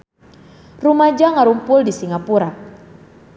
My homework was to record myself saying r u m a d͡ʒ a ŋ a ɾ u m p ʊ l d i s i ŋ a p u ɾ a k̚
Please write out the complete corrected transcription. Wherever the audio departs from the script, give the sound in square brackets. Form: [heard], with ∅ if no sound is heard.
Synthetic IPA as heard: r u m a d͡ʒ a ŋ a ɾ u m p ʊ l d i s i ŋ a p u ɾ a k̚